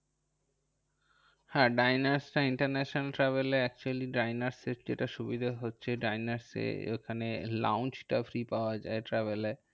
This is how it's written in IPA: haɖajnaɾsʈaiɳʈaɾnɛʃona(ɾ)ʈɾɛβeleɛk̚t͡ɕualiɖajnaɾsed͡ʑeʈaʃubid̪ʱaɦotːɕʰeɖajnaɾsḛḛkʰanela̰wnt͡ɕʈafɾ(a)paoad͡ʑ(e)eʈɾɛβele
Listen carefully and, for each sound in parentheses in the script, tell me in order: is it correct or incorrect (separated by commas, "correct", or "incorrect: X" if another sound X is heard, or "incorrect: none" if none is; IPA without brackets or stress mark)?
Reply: incorrect: l, incorrect: i, incorrect: a